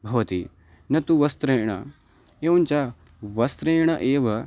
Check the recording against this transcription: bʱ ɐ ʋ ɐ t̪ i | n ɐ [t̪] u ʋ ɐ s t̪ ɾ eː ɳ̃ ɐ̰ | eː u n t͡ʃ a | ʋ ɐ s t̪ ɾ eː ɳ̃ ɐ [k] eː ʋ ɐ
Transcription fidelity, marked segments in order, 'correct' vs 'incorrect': correct, incorrect

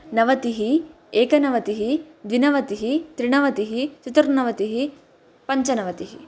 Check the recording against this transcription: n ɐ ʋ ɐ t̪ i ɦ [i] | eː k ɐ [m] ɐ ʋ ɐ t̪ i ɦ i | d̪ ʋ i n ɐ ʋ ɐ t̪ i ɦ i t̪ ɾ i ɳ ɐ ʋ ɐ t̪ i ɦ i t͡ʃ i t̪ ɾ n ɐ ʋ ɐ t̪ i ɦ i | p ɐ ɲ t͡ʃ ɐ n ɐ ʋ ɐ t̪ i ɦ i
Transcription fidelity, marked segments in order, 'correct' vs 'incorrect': correct, incorrect

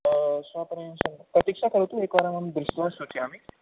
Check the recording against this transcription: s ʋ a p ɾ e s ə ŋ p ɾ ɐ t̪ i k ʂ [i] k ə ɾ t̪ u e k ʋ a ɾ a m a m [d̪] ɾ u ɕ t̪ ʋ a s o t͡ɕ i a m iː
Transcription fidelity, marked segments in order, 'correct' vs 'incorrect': incorrect, correct

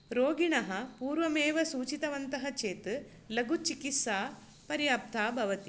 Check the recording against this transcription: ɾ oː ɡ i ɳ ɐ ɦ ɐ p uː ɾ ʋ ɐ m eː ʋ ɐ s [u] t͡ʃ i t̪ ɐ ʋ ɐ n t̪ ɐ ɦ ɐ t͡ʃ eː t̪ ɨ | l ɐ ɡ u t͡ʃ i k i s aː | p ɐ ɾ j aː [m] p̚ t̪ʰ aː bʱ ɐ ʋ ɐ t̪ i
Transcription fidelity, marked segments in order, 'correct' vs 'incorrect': incorrect, incorrect

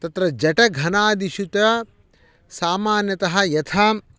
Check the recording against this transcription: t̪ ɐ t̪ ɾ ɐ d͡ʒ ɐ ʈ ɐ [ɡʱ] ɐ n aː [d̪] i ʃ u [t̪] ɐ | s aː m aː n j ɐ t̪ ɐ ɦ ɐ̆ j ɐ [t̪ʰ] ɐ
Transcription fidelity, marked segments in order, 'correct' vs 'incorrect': correct, correct, correct, correct

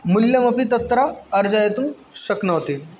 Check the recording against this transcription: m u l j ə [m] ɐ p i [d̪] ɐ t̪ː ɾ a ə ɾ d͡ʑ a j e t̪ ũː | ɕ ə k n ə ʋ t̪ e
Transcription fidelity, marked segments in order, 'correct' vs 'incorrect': correct, incorrect

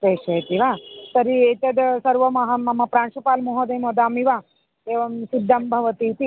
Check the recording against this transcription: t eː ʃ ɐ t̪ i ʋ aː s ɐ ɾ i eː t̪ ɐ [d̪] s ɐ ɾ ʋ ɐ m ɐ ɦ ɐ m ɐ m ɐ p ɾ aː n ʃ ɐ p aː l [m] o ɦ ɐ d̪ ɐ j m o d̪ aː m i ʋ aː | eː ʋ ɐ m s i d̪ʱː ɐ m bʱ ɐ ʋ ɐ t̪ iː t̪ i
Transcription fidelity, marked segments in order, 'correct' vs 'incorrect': correct, correct

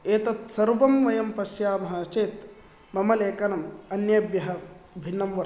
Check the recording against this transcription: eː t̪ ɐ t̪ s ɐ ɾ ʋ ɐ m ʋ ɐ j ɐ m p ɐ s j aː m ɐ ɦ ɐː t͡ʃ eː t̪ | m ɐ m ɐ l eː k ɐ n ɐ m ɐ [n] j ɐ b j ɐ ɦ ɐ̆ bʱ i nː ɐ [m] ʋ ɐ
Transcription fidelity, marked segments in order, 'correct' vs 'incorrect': correct, correct

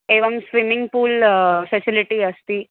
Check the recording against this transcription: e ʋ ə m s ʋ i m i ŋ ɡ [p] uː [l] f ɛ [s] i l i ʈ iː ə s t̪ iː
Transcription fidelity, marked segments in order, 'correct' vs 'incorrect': correct, correct, correct

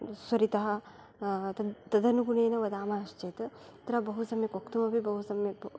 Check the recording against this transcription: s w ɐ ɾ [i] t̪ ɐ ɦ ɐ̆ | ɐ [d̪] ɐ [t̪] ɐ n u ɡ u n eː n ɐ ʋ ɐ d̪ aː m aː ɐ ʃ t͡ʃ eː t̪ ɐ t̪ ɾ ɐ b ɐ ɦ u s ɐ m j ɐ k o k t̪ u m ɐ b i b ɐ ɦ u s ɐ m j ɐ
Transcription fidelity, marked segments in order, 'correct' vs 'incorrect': correct, incorrect, incorrect

